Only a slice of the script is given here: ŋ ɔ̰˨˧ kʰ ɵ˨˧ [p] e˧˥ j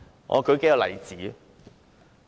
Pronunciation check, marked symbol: incorrect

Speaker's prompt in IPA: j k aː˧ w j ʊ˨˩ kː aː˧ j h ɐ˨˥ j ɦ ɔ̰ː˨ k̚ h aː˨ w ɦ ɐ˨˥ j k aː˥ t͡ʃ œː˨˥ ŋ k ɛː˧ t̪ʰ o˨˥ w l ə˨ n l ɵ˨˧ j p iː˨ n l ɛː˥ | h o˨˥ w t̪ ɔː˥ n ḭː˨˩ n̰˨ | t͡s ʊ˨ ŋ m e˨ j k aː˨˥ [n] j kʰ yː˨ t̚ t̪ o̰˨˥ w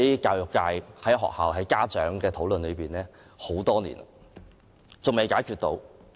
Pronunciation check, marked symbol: incorrect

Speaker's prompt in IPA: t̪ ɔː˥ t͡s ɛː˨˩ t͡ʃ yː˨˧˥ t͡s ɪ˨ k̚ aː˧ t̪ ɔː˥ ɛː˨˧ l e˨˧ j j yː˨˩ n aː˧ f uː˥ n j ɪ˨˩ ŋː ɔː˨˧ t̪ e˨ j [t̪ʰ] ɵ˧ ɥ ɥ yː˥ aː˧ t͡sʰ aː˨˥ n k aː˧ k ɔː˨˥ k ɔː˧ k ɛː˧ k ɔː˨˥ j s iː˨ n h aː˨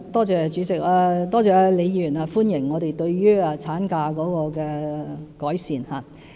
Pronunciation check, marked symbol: incorrect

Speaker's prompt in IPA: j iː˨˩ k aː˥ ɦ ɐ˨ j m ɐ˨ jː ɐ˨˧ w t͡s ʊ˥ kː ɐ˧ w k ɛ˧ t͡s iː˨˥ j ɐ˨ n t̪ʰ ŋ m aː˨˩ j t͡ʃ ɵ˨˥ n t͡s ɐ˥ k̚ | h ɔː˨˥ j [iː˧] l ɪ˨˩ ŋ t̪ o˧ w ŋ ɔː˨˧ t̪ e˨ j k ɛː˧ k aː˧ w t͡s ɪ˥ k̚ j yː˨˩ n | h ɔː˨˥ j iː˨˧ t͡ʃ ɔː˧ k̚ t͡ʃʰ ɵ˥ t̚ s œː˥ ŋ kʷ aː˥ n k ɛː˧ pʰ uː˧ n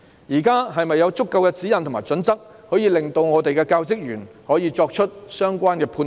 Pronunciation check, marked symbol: correct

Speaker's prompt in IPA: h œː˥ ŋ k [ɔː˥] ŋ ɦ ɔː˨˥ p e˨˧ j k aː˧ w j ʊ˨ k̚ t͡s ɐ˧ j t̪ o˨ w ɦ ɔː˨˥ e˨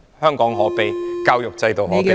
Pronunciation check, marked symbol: incorrect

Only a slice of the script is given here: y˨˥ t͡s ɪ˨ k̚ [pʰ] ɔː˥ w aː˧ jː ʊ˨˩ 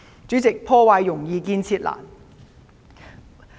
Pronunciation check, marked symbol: correct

